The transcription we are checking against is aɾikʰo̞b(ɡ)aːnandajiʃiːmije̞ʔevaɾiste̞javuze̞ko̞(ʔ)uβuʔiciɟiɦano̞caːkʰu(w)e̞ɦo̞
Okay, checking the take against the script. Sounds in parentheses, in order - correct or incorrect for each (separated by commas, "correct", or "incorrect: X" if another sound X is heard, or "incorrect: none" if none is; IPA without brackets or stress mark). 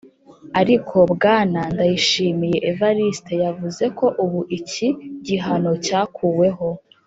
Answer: correct, correct, correct